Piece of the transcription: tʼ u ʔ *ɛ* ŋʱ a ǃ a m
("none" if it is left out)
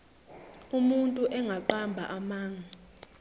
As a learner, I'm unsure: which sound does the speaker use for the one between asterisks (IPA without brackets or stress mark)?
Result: ɛ